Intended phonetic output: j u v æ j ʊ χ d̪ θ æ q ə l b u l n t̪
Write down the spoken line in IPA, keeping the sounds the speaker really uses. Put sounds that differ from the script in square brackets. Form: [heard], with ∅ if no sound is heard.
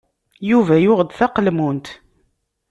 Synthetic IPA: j u v æ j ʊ [ʁ] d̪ θ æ q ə l [m] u [∅] n t̪